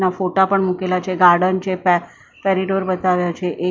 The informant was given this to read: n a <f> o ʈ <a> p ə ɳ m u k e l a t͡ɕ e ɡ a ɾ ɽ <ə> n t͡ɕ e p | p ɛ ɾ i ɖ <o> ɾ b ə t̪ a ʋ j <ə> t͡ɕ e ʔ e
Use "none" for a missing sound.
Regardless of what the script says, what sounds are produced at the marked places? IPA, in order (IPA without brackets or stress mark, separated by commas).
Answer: f, a, ə, o, a